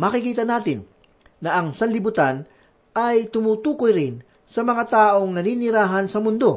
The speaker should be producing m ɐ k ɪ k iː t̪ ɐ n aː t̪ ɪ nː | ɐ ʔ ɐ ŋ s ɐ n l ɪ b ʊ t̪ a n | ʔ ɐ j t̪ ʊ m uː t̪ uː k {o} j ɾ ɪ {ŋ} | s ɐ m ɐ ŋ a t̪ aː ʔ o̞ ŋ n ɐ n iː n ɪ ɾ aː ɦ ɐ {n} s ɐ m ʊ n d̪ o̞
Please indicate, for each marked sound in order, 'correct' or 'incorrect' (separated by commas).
correct, incorrect, correct